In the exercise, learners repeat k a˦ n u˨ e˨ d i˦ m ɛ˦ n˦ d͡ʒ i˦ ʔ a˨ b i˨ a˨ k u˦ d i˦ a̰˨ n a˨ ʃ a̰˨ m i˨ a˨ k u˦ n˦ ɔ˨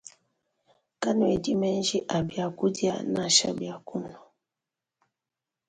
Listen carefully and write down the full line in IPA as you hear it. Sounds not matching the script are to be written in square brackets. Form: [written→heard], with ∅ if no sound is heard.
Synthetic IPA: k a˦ n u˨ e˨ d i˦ m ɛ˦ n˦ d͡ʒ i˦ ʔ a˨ b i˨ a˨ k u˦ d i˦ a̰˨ n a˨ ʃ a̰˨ [m→b] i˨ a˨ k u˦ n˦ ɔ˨